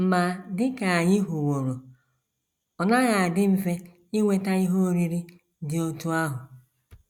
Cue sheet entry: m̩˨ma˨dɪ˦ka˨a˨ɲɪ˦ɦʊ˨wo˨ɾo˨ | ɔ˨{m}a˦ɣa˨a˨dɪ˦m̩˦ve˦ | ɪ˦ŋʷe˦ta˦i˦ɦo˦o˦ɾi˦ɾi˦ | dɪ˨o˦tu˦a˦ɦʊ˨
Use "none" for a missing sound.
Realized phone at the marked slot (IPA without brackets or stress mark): n